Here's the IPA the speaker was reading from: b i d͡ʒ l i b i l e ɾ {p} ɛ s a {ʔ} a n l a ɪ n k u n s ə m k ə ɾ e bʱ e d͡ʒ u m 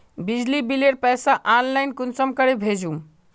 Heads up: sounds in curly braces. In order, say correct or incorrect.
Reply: correct, correct

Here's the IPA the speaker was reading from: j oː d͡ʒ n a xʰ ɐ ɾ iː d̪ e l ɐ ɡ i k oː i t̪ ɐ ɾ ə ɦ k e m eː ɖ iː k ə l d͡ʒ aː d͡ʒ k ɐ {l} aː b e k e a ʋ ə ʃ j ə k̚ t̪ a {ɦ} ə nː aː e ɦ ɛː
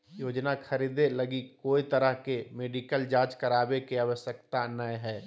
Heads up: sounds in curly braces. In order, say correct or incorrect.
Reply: incorrect: ɾ, incorrect: none

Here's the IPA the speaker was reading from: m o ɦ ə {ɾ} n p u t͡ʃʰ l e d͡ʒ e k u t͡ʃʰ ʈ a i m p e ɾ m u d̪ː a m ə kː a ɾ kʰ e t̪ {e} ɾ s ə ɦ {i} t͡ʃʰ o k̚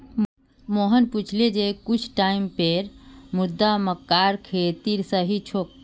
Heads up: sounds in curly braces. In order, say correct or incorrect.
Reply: incorrect: none, incorrect: i, correct

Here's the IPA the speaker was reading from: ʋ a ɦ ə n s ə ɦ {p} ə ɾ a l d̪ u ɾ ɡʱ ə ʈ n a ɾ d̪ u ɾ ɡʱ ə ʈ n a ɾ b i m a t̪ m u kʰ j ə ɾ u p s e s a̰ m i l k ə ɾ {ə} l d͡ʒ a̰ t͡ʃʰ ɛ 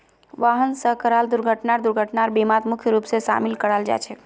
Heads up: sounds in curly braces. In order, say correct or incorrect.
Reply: incorrect: k, incorrect: a

